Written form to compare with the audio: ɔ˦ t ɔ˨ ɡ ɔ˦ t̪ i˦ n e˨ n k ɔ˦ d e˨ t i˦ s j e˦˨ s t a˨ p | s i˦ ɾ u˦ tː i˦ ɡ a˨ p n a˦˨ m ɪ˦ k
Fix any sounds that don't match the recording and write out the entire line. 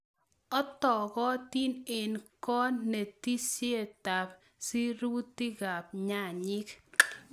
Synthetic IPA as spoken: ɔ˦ t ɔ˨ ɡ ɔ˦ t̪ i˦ n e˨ n k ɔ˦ n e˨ t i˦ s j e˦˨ t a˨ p | s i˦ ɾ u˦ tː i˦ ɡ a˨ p ɲ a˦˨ ɲ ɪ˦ k